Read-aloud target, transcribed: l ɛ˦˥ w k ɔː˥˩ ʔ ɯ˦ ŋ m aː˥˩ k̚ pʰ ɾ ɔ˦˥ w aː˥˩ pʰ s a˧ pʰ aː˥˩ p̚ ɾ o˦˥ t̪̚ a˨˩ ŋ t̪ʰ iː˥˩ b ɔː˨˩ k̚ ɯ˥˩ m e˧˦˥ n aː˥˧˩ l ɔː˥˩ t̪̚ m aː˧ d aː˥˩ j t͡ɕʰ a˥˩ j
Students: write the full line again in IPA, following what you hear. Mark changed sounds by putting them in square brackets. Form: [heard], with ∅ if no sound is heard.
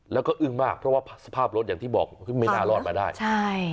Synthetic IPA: l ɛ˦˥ w k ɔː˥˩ ʔ [ɯ˥˩] ŋ m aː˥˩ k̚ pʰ ɾ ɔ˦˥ w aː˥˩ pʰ s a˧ pʰ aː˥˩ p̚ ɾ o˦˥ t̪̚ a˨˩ ŋ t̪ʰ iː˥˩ b ɔː˨˩ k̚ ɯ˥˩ m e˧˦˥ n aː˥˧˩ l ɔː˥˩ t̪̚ m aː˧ d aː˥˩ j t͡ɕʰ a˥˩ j